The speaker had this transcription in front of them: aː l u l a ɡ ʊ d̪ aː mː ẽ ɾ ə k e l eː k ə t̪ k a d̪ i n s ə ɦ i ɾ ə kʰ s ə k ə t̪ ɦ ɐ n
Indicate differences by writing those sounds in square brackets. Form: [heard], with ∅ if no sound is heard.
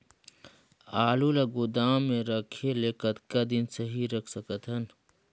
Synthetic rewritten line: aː l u l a ɡ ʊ d̪ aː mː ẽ ɾ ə [kʰ] e l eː k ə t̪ k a d̪ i n s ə ɦ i ɾ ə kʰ s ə k ə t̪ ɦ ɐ n